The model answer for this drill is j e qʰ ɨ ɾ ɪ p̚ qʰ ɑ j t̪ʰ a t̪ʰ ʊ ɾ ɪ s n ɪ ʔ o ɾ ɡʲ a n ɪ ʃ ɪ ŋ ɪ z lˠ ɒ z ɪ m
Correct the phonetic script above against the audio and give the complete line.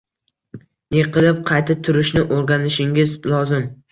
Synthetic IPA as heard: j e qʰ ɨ l ɪ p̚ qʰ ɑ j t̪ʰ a t̪ʰ ʊ ɾ ɪ ʃ n ɪ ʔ o ɾ ɡʲ a n ɪ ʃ ɪ ŋ ɪ z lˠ ɒ z ɪ m

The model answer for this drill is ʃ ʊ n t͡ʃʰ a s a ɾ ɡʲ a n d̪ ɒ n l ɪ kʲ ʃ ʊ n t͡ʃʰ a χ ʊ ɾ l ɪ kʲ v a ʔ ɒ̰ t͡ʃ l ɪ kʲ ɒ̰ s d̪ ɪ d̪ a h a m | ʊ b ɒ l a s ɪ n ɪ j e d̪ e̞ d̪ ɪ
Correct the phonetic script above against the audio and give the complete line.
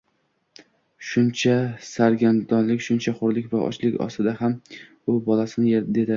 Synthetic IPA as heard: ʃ ʊ n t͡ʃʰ a s a ɾ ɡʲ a n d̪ ɒ n l ɪ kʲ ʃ ʊ n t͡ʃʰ a χ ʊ ɾ l ɪ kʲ v a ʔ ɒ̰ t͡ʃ l ɪ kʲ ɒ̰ s t̪ ɪ d̪ a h a m | ʊ b ɒ l a s ɪ n ɪ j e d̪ e̞ d̪ ɪ

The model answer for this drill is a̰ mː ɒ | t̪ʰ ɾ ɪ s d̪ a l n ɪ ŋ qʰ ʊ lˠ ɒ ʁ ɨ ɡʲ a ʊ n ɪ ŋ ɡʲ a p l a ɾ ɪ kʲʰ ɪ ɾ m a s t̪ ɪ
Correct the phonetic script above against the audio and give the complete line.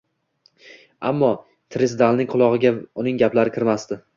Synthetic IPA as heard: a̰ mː ɒ | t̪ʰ ɾ ɪ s d̪ a l n ɪ ŋ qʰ ʊ lˠ ɒ ʁ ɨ ɡʲ a ʊ n ɪ ŋ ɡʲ a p l a ɾ ɪ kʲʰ ɪ ɾ m a s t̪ ɪ

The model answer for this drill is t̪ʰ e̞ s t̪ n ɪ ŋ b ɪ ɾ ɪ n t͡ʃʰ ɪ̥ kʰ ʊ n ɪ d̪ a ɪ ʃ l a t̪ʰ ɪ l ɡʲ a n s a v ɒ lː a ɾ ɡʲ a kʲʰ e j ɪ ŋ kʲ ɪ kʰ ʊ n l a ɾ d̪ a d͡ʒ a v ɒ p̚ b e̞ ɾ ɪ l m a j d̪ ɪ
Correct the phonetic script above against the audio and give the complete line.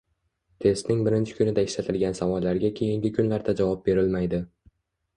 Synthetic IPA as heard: t̪ʰ e̞ s t̪ n ɪ ŋ b ɪ ɾ ɪ n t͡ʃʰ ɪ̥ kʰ ʊ n ɪ d̪ a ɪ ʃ l a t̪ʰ ɪ l ɡʲ a n s a v ɒ lː a ɾ ɡʲ a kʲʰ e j ɪ ŋ ɡʲ ɪ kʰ ʊ n l a ɾ d̪ a d͡ʒ a v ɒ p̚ b e̞ ɾ ɪ l m a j d̪ ɪ

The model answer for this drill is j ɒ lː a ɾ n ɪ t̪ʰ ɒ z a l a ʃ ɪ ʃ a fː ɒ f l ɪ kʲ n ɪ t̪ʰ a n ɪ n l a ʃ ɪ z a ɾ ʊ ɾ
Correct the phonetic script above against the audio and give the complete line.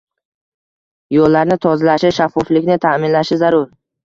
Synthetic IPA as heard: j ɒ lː a ɾ n ɪ t̪ʰ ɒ z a l a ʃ ɪ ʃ a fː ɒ f l ɪ kʲ n ɪ t̪ʰ a m ɪ n l a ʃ ɪ z a ɾ ʊ ɾ

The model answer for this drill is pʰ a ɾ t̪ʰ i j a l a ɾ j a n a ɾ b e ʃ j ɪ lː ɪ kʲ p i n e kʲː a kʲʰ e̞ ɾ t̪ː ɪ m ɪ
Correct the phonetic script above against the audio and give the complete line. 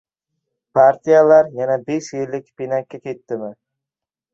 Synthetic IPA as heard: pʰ a ɾ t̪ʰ i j a l a ɾ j a n a b e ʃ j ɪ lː ɪ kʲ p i n a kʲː a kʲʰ e̞ t̪ː ɪ m ɪ

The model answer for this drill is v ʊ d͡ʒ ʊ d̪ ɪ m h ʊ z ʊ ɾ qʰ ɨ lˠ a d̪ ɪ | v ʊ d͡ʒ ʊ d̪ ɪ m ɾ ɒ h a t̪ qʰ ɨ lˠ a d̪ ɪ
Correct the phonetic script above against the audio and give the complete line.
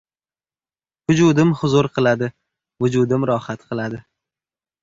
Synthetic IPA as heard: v ʊ d͡ʒ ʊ d̪ ɪ m h ʊ z ʊ ɾ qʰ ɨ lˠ a d̪ ɪ | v ʊ d͡ʒ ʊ d̪ ɪ m ɾ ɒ h a t̪ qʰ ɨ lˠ a d̪ ɪ

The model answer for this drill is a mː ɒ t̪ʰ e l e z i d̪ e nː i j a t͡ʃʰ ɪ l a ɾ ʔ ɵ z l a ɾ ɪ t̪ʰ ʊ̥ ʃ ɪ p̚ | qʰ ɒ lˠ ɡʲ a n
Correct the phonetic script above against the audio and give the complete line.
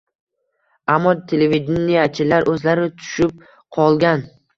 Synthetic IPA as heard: a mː ɒ t̪ʰ e l e v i d̪ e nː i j a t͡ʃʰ ɪ l a ɾ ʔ ɵ z l a ɾ ɪ t̪ʰ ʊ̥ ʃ ɪ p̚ | qʰ ɒ lˠ ɡʲ a n

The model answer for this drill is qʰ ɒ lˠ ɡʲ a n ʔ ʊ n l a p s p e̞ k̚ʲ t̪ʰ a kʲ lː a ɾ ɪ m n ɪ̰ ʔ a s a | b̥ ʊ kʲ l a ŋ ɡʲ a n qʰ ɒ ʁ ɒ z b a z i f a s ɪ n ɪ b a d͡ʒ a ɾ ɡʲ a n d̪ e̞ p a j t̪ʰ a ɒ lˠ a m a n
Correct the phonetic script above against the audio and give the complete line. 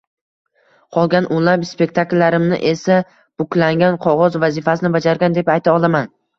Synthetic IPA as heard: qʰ ɒ lˠ ɡʲ a n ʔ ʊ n l a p s p e̞ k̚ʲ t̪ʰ a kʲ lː a ɾ ɪ m n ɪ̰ ʔ e s a | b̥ ʊ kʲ l a ŋ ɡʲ a n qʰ ɒ ʁ ɒ z v a z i f a s ɪ n ɪ b a d͡ʒ a ɾ ɡʲ a n d̪ e̞ p a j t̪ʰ a ɒ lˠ a m a n

